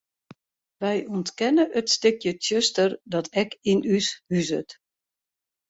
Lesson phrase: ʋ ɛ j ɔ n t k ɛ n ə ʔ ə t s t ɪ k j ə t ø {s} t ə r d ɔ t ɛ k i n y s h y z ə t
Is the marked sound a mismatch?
no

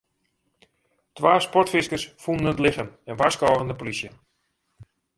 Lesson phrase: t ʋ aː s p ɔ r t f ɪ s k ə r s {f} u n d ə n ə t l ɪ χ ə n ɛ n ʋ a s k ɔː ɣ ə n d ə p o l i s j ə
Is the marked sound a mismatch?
no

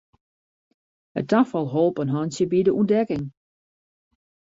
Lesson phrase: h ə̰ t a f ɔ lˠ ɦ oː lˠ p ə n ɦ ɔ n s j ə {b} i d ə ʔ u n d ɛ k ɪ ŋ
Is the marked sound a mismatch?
no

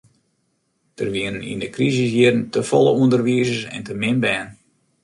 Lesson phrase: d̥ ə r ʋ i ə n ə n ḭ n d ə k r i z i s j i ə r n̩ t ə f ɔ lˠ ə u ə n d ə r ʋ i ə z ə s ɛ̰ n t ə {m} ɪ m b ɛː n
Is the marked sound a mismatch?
no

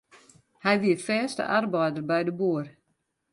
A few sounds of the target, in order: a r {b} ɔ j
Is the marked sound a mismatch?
no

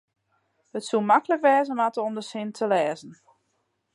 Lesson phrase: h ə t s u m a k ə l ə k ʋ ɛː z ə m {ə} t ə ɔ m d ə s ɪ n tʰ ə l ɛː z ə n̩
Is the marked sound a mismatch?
yes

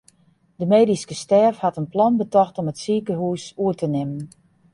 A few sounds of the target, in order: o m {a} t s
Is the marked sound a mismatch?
yes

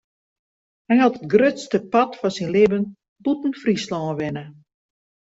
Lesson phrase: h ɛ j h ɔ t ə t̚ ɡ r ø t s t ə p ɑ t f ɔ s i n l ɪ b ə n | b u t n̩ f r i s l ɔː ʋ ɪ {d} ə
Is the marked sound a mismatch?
yes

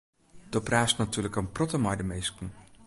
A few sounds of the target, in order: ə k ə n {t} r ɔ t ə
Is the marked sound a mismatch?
yes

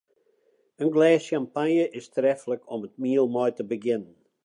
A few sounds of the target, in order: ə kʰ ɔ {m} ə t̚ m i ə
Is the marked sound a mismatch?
no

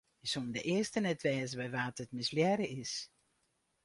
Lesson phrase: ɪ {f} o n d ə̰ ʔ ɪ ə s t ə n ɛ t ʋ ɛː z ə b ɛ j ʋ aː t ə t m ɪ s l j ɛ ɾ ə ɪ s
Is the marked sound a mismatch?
yes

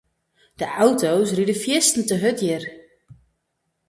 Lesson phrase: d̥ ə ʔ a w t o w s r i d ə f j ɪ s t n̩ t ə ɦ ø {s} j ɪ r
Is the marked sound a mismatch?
yes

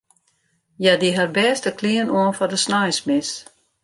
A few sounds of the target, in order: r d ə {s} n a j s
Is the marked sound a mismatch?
no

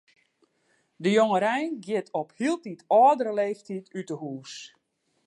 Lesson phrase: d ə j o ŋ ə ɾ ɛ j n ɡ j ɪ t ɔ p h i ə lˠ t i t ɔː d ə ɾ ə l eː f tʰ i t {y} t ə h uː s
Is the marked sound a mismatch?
no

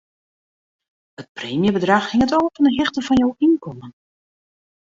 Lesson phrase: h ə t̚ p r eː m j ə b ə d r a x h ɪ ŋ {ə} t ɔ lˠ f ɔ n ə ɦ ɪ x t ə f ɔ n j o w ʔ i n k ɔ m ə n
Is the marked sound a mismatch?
no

